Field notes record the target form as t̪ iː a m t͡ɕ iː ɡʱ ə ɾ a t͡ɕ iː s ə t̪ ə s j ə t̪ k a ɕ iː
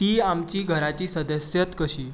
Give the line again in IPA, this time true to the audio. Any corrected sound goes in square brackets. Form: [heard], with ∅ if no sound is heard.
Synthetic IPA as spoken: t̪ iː a m t͡ɕ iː ɡʱ ə ɾ a t͡ɕ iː s ə [d̪] ə s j ə t̪ k [ə] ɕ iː